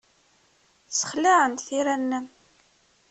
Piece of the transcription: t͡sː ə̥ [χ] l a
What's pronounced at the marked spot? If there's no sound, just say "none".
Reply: χ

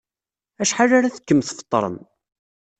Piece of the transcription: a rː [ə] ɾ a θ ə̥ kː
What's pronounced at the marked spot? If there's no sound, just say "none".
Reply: a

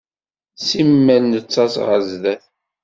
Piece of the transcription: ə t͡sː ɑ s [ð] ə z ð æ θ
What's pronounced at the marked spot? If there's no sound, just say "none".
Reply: ʁ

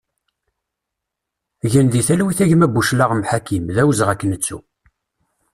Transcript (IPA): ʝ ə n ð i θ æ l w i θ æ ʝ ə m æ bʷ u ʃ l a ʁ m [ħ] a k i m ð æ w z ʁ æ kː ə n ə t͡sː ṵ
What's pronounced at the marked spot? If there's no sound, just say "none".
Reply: ħ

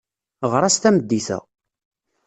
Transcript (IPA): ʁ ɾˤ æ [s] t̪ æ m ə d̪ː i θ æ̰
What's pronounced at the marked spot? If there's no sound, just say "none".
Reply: s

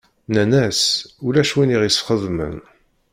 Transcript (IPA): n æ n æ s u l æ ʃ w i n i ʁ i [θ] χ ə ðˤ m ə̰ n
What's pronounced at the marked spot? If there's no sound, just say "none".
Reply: s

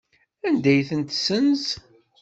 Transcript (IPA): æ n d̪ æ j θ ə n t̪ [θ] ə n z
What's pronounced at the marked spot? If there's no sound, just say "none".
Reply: s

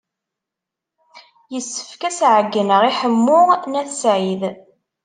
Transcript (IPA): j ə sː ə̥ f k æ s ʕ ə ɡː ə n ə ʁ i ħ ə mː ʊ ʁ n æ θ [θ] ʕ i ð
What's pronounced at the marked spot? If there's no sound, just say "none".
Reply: s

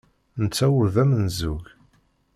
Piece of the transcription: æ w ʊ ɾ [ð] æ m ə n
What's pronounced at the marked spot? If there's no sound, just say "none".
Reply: ð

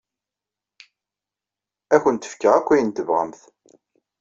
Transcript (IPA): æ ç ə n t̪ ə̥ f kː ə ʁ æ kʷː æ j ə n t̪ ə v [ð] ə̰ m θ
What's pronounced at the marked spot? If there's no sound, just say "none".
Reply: ʁ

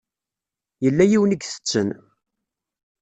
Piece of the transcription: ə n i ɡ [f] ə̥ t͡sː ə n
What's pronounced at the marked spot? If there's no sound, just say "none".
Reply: θ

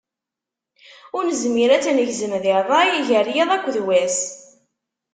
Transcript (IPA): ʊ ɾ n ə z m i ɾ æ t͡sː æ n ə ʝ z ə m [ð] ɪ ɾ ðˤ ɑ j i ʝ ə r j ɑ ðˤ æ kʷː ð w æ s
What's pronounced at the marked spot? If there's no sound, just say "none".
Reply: ð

